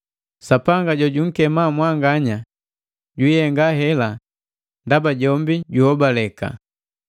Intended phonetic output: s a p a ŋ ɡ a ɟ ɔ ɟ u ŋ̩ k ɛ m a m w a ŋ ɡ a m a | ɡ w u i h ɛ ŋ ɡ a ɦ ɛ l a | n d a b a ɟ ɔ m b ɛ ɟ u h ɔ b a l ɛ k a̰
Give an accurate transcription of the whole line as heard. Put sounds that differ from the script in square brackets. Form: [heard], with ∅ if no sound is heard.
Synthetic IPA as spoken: s a p a ŋ ɡ a ɟ ɔ ɟ u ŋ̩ k ɛ m a m w a ŋ ɡ a [ɲ] a | [ɟ] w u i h ɛ ŋ ɡ a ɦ ɛ l a | n d a b a ɟ ɔ m b [i] ɟ u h ɔ b a l ɛ k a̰